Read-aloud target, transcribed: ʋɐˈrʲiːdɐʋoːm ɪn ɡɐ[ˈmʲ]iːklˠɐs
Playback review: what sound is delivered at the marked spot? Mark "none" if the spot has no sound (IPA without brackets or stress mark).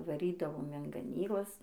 nʲ